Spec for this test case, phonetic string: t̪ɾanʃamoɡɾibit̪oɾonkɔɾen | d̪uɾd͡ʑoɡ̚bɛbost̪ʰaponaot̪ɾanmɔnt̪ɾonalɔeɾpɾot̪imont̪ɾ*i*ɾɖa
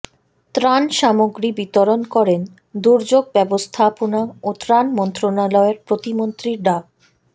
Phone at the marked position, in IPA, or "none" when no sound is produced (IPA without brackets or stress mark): i